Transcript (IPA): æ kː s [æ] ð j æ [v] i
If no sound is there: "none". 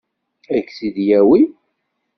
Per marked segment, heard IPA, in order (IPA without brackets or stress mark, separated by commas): i, w